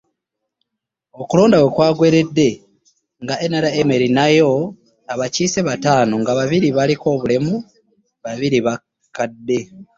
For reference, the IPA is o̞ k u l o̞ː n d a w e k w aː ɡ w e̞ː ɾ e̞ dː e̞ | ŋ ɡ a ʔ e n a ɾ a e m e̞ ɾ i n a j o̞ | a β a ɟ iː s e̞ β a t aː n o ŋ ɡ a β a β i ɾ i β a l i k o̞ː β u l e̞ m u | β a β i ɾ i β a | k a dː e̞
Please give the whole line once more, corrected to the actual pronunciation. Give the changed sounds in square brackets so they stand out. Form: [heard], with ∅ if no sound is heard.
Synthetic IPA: o̞ k u l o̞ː n d a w e k w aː ɡ w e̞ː ɾ e̞ dː e̞ | ŋ ɡ a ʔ e n a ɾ a e m e̞ ɾ i n a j o̞ | a β a [c] iː s e̞ β a t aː n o ŋ ɡ a β a β i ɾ i β a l i k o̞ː β u l e̞ m u | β a β i ɾ i β a | k a dː e̞